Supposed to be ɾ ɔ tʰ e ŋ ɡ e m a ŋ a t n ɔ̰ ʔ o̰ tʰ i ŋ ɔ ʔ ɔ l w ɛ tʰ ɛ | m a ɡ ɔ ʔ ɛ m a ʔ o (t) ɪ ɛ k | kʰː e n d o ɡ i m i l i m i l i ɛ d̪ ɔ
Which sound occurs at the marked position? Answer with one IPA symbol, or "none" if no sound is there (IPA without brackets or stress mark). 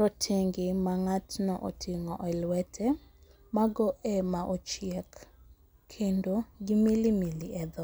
t͡ʃ